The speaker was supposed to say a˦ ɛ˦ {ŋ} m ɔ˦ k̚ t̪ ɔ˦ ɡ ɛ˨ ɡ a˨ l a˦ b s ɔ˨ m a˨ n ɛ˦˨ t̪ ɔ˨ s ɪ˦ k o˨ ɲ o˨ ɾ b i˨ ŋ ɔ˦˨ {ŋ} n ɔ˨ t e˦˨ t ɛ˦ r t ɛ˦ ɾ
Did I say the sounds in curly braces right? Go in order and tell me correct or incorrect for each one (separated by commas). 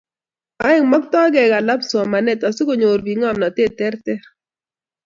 correct, incorrect